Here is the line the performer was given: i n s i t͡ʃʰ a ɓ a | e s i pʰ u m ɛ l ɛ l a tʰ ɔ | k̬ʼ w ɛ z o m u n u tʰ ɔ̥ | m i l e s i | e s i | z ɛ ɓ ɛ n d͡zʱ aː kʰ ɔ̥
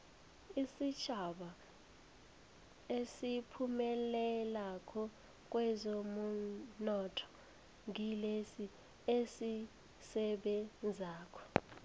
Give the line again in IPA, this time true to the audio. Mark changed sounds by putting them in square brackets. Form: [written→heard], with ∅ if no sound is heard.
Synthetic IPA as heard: i [n→∅] s i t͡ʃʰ a ɓ a | e s i pʰ u m ɛ l ɛ l a [tʰ→kʰ] ɔ | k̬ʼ w ɛ z o m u n [u→ɔ] tʰ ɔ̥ | [m→ŋ] i l e s i | e s i | [z→s] ɛ ɓ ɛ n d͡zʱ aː kʰ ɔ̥